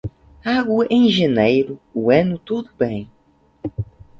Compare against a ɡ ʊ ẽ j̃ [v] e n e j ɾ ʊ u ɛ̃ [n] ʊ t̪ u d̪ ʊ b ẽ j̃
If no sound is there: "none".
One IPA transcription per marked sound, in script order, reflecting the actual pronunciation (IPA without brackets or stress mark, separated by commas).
ʒ, n